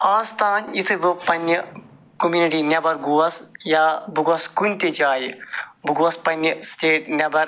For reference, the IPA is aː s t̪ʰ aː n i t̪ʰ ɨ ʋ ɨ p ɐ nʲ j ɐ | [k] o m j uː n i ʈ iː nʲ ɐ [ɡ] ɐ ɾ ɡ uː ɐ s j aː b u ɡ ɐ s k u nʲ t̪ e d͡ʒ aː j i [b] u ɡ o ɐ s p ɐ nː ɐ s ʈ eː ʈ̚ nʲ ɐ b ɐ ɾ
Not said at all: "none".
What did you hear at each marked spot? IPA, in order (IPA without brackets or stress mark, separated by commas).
k, b, b